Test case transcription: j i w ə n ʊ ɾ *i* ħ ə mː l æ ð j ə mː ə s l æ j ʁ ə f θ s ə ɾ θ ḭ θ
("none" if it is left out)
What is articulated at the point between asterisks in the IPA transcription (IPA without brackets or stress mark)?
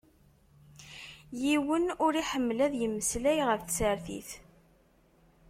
i